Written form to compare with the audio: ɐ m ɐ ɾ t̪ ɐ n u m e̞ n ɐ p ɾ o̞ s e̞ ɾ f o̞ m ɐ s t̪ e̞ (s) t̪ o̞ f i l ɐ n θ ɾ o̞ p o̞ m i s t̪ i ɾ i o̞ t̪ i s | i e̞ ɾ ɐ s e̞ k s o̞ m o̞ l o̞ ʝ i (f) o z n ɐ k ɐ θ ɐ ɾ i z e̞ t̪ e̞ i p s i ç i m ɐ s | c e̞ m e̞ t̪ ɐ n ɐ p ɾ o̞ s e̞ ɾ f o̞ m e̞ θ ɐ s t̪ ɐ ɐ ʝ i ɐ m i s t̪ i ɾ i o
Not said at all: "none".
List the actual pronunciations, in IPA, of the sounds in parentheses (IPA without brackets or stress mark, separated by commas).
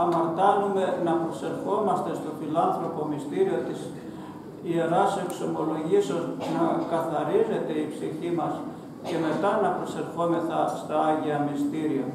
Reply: s, s